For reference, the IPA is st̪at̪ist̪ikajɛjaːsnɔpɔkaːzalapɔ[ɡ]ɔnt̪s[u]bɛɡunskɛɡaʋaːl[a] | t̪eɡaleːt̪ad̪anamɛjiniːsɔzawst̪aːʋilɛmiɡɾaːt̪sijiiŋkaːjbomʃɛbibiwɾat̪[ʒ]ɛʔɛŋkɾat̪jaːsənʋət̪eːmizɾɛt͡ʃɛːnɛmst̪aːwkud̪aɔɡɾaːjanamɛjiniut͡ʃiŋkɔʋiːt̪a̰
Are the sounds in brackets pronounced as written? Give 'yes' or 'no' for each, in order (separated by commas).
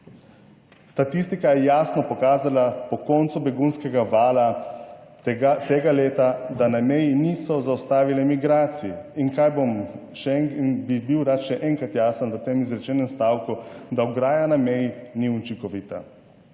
no, yes, yes, no